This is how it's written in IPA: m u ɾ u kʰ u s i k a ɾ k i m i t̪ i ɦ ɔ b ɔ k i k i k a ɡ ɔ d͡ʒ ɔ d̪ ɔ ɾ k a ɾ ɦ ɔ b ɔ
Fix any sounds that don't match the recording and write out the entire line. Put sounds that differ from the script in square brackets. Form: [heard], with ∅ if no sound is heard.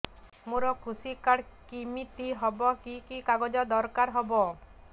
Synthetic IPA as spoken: m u ɾ [ɔ] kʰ u s i k a [ɽ] k i m i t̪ i ɦ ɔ b ɔ k i k i k a ɡ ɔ d͡ʒ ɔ d̪ ɔ ɾ k a ɾ ɦ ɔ b ɔ